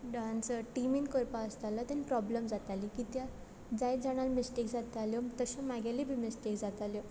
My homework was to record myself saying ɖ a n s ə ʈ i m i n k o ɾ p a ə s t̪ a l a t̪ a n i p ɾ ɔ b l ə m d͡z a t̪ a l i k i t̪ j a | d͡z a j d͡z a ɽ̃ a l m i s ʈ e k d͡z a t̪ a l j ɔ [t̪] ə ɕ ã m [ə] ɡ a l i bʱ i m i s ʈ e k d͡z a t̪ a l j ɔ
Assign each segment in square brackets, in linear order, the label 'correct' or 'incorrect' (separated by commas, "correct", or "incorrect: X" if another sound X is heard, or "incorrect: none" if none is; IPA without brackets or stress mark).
correct, incorrect: a